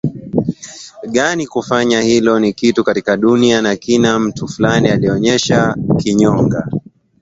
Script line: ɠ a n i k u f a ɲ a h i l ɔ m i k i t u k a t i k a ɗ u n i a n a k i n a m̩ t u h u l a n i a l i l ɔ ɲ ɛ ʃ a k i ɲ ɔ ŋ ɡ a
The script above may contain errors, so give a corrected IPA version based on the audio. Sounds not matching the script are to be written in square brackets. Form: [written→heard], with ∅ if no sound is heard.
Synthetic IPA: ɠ a n i k u f a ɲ a h i l ɔ [m→n] i k i t u k a t i k a ɗ u n i a n a k i n a m̩ t u [h→f] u l a n i a l i [l→∅] ɔ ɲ ɛ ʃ a k i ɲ ɔ ŋ ɡ a

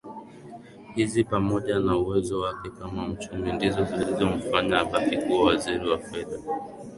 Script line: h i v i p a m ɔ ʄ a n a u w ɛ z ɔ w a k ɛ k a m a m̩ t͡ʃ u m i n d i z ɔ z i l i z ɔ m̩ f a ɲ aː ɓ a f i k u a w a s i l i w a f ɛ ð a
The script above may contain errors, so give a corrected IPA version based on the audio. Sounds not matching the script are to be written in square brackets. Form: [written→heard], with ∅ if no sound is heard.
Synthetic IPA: h i [v→z] i p a m ɔ ʄ a n a u w ɛ z ɔ w a k ɛ k a m a m̩ t͡ʃ u m i n d i z ɔ z i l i z ɔ m̩ f a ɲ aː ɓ a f i k u a w a [s→z] i [l→ɾ] i w a f ɛ ð a

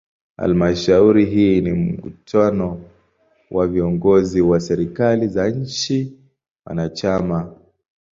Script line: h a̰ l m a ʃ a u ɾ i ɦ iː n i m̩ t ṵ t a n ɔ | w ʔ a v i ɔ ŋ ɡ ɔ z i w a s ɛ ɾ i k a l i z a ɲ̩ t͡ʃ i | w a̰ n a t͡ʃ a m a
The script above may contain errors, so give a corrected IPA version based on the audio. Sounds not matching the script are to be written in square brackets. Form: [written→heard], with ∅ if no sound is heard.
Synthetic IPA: h a̰ l m a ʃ a u ɾ i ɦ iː n i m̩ [t→k] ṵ t a n ɔ | w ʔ a v i ɔ ŋ ɡ ɔ z i w a s ɛ ɾ i k a l i z a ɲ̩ t͡ʃ i | w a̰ n a t͡ʃ a m a

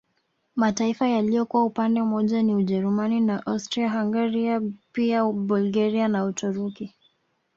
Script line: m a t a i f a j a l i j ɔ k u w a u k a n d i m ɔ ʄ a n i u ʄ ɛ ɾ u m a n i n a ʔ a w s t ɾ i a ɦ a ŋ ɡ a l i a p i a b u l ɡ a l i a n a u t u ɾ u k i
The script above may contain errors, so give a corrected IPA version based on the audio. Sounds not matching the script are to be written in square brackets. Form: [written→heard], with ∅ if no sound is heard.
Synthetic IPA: m a t a i f a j a l i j ɔ k u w a u [k→p] a n d [i→ɛ] m ɔ ʄ a n i u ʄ ɛ ɾ u m a n i n a ʔ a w s t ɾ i a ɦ a ŋ ɡ a [l→ɾ] i a p i a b u l ɡ a [l→ɾ] i a n a u t u ɾ u k i

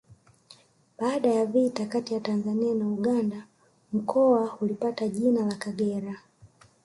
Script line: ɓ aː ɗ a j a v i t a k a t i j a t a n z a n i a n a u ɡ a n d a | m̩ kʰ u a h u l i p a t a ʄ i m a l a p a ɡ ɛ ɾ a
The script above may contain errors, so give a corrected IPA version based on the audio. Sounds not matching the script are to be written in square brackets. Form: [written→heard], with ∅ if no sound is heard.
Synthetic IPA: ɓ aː ɗ a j a v i t a k a t i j a t a n z a n i a n a u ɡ a n d a | m̩ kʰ [u→ɔ] a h u l i p a t a ʄ i [m→n] a l a [p→k] a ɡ ɛ ɾ a

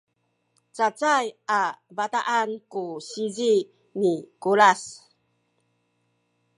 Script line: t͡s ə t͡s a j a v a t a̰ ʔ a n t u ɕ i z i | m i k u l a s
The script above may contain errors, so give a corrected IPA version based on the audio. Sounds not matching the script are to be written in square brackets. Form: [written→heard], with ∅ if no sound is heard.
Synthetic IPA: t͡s [ə→a] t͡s a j a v a t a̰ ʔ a n [t→k] u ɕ i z i | [m→n] i k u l a s

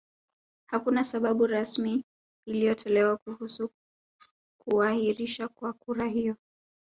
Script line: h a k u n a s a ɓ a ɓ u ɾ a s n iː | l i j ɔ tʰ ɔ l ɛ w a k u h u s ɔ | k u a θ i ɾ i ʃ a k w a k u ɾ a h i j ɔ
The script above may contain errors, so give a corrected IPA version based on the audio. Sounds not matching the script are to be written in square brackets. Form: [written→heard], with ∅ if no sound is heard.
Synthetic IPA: h a k u n a s a ɓ a ɓ u ɾ a s [n→m] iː | l i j ɔ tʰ ɔ l ɛ w a k u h u s [ɔ→u] | k u a [θ→h] i ɾ i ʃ a k w a k u ɾ a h i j ɔ

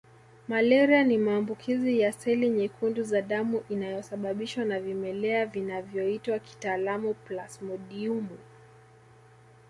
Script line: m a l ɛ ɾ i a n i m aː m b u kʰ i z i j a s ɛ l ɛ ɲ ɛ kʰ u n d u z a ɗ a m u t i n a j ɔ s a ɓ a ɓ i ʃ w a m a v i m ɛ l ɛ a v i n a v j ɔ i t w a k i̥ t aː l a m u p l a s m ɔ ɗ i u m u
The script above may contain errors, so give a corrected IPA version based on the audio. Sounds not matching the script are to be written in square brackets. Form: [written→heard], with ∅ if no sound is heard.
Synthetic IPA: m a l ɛ ɾ i a n i m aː m b u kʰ i z i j a s ɛ l [ɛ→i] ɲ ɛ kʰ u n d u z a ɗ a m u [t→ʔ] i n a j ɔ s a ɓ a ɓ i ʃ w a [m→n] a v i m ɛ l ɛ a v i n a v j ɔ i t w a k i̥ t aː l a m u p l a s m ɔ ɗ i u m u

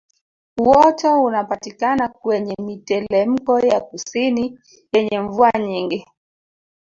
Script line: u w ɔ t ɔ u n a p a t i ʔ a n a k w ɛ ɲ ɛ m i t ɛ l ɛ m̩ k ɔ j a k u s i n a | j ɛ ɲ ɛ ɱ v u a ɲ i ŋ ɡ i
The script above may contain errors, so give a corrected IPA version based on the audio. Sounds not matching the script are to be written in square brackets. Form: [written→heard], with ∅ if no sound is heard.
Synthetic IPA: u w ɔ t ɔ u n a p a t i [ʔ→k] a n a k w ɛ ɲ ɛ m i t ɛ l ɛ m̩ k ɔ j a k u s i n [a→i] | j ɛ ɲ ɛ ɱ v u a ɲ i ŋ ɡ i

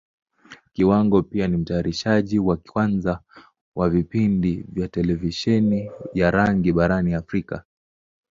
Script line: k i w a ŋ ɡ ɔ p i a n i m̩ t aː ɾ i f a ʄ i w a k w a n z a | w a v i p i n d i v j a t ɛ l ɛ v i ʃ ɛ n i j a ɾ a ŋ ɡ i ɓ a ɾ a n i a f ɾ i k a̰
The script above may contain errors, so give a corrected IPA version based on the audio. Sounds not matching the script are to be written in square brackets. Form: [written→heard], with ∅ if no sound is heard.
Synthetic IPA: k i w a ŋ ɡ ɔ p i a n i m̩ t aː ɾ i [f→ʃ] a ʄ i w a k w a n z a | w a v i p i n d i v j a t ɛ l ɛ v i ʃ ɛ n i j a ɾ a ŋ ɡ i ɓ a ɾ a n i a f ɾ i k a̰

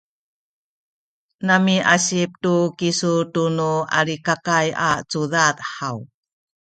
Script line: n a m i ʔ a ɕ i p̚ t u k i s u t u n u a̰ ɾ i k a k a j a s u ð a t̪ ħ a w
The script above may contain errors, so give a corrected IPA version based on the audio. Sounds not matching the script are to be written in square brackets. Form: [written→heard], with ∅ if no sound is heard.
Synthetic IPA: n a m i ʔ a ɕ i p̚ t u k i s u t u n u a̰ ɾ i k a k a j a [s→t͡s] u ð a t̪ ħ a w

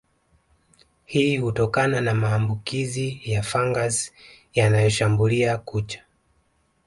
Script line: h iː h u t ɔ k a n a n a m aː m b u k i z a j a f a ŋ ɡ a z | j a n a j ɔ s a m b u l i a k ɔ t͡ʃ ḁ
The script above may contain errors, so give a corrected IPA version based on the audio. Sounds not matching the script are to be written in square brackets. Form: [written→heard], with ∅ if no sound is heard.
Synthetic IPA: h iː h u t ɔ k a n a n a m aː m b u k i z [a→i] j a f a ŋ ɡ a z | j a n a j ɔ [s→ʃ] a m b u l i a k [ɔ→u] t͡ʃ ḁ

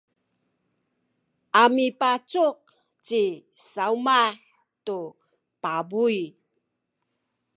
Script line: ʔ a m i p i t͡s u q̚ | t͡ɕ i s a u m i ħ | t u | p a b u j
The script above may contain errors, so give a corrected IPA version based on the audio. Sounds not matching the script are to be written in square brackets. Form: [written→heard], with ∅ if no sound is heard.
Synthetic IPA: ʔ a m i p [i→a] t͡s u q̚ | t͡ɕ i s a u m [i→a] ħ | t u | p a b u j

